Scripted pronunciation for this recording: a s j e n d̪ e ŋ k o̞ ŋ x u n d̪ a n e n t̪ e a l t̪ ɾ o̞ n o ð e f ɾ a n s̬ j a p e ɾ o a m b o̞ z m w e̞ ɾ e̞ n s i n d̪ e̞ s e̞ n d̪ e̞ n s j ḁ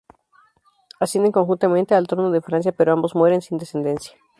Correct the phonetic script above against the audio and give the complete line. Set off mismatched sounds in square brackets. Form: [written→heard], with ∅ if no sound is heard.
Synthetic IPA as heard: a s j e n d̪ e ŋ k o̞ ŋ x u n [d̪→t̪] a [n→m] e n t̪ e a l t̪ ɾ o̞ n o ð e f ɾ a n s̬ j a p e ɾ o a m b o̞ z m w e̞ ɾ e̞ n s i n d̪ e̞ s e̞ n d̪ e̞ n s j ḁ